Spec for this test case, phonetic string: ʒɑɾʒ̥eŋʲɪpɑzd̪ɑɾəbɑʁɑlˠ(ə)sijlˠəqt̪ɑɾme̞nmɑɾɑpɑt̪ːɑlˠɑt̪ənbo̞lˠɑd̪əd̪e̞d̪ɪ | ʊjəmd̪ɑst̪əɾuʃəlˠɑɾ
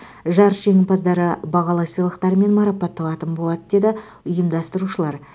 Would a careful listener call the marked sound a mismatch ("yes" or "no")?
yes